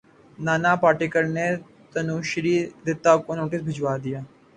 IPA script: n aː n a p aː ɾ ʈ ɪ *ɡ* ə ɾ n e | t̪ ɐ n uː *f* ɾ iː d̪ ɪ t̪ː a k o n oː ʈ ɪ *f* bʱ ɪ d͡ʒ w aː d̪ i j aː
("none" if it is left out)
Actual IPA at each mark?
k, ʃ, s

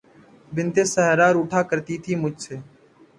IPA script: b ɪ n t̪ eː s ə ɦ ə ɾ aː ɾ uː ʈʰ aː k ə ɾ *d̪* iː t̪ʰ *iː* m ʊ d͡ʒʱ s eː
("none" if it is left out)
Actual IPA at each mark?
t̪, iː

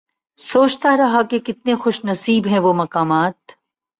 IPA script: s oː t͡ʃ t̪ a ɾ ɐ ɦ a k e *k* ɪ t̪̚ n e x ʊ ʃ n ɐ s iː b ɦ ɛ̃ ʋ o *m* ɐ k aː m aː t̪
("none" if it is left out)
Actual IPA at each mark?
k, m

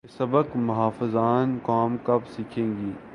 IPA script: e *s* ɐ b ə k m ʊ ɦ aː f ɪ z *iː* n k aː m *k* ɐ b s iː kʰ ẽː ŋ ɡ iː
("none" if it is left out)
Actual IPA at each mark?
s, aː, k

